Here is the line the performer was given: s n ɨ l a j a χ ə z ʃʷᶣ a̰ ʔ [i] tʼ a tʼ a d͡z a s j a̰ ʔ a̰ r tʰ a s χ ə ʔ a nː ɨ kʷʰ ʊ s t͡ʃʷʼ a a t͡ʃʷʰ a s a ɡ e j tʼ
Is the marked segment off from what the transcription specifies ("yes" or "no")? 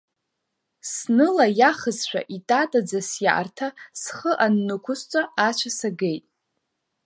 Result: no